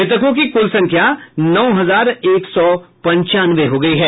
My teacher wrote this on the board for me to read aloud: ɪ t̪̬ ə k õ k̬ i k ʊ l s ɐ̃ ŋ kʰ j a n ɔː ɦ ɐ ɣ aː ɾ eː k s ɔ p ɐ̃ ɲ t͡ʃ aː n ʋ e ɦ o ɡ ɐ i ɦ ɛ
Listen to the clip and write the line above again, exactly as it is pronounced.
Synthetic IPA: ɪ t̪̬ ə k õ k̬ i k ʊ l s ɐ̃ ŋ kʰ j a n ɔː ɦ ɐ z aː ɾ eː k s ɔ p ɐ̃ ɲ t͡ʃ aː n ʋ e ɦ o ɡ ɐ i ɦ ɛː

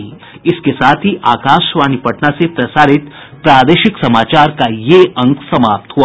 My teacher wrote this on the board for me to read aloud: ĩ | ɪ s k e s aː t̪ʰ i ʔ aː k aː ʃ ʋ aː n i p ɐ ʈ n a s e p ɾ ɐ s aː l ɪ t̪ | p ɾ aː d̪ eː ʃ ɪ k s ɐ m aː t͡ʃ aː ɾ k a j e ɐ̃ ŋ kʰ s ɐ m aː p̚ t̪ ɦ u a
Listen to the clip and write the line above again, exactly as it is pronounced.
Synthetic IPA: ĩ | ɪ s k e s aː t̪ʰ i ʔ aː k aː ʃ ʋ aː n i p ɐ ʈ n a s e p ɾ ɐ s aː ɾ ɪ t̪ | p ɾ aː d̪ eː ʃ ɪ k s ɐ m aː t͡ʃ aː ɾ k a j e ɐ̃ ŋ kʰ s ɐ m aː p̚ t̪ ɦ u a

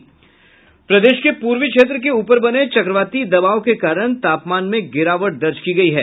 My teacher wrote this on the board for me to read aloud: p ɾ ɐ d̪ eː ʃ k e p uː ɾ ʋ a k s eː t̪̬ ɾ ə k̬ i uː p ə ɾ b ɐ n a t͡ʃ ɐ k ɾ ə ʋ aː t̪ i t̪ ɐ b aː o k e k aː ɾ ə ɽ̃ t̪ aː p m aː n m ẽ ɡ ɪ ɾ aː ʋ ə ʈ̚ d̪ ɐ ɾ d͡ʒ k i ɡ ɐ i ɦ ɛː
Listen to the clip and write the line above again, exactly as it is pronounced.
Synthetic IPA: p ɾ ɐ d̪ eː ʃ k e p uː ɾ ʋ i k ʃ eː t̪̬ ɾ ə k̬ e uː p ə ɾ b ɐ n e t͡ʃ ɐ k ɾ ə ʋ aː t̪ i d̪ ɐ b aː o k e k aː ɾ ə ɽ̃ t̪ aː p m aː n m ẽ ɡ ɪ ɾ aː ʋ ə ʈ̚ d̪ ɐ ɾ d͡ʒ k i ɡ ɐ i ɦ ɛː

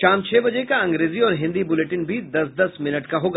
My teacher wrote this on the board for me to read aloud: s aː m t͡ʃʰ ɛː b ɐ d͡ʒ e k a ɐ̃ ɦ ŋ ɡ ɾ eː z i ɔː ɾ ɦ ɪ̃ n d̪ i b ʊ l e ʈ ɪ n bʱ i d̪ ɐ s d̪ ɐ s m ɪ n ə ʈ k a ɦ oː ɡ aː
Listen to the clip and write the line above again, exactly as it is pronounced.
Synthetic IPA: ʃ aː m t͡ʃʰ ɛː b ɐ d͡ʒ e k a ɐ̃ ŋ ɡ ɾ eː z i ɔː ɾ ɦ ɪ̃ n d̪ i b ʊ l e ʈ ɪ n bʱ i d̪ ɐ s d̪ ɐ s m ɪ n ə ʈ k a ɦ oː ɡ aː

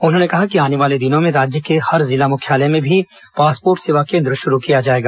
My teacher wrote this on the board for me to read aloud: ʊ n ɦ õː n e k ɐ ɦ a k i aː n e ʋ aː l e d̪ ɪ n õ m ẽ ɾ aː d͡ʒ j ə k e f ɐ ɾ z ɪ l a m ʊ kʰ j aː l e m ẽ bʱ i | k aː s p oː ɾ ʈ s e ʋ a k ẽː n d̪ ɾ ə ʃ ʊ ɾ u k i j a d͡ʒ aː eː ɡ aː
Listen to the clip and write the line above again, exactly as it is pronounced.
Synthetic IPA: ʊ n ɦ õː n e k ɐ ɦ a k i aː n e ʋ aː l e d̪ ɪ n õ m ẽ ɾ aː d͡ʒ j ə k e h ɐ ɾ z ɪ l a m ʊ kʰ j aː l e m ẽ bʱ i | p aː s p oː ɾ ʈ s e ʋ a k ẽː n d̪ ɾ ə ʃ ʊ ɾ u k i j a d͡ʒ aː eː ɡ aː

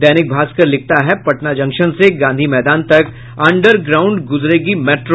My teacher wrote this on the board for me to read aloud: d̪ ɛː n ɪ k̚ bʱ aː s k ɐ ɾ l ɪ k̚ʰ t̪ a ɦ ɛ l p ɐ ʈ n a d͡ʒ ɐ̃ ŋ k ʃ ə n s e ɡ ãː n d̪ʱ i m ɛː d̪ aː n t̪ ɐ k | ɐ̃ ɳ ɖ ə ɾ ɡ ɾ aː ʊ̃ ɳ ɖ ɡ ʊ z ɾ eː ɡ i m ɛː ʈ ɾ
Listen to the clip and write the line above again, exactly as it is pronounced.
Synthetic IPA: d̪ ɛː n ɪ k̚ bʱ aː s k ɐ ɾ l ɪ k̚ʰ t̪ a ɦ ɛ p ɐ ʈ n a d͡ʒ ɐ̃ ŋ k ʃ ə n s e ɡ ãː n d̪ʱ i m ɛː d̪ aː n t̪ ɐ k | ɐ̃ ɳ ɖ ə ɾ ɡ ɾ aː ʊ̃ ɳ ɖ ɡ ʊ z ɾ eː ɡ i m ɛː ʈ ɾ

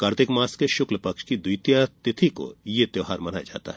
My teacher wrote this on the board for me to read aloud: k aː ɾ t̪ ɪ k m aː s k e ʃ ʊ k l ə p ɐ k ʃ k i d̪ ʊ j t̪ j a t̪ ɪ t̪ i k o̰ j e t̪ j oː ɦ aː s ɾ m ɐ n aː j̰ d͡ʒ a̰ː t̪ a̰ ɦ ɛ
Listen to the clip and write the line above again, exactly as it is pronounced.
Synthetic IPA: k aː ɾ t̪ ɪ k m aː s k e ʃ ʊ k l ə p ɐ k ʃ k i d̪ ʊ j t̪ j a t̪ ɪ t̪ʰ i k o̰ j e t̪ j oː ɦ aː ɾ m ɐ n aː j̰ d͡ʒ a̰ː t̪ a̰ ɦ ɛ

